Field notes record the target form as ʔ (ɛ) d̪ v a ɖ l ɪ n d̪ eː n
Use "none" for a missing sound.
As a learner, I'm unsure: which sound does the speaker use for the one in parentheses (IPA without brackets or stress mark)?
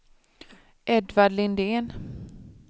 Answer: ɛ